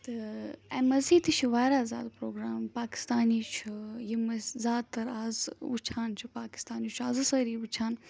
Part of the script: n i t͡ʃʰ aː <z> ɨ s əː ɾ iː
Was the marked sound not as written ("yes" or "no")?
no